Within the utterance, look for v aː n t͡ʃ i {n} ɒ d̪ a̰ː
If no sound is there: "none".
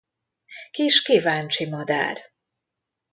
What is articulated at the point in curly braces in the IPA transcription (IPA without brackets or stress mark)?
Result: m